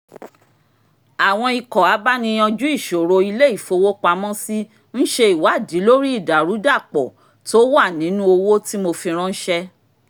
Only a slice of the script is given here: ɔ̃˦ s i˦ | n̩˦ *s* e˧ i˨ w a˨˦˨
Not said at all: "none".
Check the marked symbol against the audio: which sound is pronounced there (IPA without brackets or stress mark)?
ʃ